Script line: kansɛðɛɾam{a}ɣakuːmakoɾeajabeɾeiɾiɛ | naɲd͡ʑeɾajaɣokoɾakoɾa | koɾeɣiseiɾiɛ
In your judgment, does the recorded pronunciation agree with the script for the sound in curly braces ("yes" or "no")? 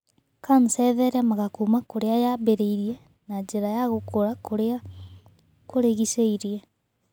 yes